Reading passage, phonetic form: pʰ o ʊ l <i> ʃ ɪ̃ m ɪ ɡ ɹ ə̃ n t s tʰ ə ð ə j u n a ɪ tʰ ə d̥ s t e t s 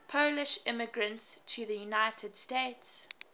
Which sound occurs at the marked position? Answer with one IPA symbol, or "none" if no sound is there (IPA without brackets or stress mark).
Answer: ɪ